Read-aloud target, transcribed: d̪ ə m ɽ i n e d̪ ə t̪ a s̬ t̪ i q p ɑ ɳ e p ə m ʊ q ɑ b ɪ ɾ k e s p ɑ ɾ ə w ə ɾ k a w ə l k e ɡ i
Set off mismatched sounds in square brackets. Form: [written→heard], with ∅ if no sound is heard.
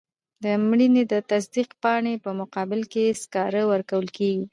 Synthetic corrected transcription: d̪ ə m ɽ i n e d̪ ə t̪ a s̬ [t̪→d̪] i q p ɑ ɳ e p ə m ʊ q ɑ b ɪ [ɾ→l] k e s [p→k] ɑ ɾ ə w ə ɾ k a w ə l k e ɡ i